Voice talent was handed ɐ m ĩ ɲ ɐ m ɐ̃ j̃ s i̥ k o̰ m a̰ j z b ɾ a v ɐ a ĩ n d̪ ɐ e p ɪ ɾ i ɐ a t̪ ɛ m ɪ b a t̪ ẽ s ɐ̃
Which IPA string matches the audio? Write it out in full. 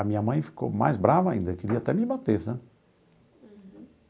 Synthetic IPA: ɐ m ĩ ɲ ɐ m ɐ̃ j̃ f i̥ k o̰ m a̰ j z b ɾ a v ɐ a ĩ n d̪ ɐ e k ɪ ɾ i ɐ a t̪ ɛ m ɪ b a t̪ e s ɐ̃